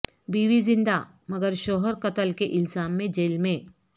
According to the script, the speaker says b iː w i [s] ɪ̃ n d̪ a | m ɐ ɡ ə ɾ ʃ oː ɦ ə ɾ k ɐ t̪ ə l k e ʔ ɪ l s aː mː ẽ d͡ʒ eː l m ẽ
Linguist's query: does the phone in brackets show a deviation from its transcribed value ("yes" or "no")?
yes